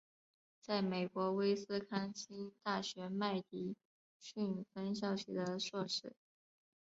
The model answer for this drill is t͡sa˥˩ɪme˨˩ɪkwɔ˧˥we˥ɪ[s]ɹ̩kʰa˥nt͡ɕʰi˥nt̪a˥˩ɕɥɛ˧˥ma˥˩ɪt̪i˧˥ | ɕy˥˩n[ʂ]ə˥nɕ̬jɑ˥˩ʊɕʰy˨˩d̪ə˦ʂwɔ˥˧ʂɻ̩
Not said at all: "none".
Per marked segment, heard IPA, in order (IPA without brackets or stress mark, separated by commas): s, f